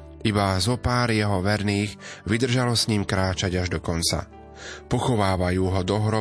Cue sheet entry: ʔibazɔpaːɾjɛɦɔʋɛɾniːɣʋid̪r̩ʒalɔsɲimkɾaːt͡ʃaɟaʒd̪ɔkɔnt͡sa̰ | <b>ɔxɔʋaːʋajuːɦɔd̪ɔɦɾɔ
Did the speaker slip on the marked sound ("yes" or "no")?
yes